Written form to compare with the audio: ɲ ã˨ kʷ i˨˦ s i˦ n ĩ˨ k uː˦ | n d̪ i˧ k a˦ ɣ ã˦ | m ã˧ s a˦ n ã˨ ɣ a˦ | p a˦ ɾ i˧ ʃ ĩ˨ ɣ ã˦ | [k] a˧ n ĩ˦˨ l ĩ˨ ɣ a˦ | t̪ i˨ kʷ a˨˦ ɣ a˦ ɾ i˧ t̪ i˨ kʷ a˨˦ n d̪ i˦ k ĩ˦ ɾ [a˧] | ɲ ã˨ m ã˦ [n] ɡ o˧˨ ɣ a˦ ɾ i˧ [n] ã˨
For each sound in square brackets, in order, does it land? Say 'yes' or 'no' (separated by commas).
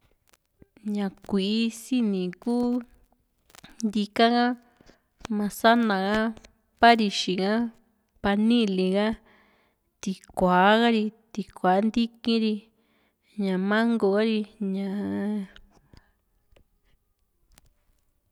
no, no, no, no